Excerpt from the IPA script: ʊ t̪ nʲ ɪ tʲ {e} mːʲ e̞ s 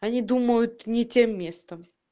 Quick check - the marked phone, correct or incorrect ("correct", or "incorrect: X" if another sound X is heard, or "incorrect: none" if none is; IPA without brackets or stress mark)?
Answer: correct